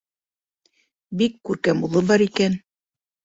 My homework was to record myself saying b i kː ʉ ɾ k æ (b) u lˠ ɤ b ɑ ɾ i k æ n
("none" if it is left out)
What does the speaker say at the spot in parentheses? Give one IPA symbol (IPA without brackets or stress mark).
m